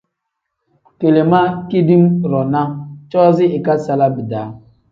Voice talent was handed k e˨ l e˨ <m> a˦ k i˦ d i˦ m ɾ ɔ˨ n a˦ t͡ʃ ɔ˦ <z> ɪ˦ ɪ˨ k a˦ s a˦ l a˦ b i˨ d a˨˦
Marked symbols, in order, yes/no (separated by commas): yes, yes